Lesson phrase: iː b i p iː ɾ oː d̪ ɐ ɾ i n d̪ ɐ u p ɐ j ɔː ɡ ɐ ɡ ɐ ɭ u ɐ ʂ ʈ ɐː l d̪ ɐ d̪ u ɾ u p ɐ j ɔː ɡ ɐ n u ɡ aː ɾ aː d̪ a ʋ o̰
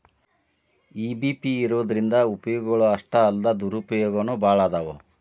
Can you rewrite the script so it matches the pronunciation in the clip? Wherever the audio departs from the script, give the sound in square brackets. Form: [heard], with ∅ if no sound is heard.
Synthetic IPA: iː b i p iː ɾ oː d̪ ɐ ɾ i n d̪ ɐ u p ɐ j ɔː ɡ ɐ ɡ ɐ ɭ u ɐ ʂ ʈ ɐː l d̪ ɐ d̪ u ɾ u p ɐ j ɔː ɡ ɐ n u [b] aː [ɭ] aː d̪ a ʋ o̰